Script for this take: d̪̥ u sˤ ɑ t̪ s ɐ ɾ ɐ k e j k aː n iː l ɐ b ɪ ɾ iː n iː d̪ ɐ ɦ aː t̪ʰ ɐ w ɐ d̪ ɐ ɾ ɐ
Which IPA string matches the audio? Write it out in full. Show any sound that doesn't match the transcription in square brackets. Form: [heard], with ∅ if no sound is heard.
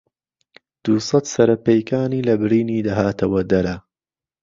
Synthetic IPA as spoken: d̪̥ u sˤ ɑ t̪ s ɐ ɾ ɐ [p] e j k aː n iː l ɐ b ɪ ɾ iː n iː d̪ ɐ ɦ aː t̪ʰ ɐ w ɐ d̪ ɐ ɾ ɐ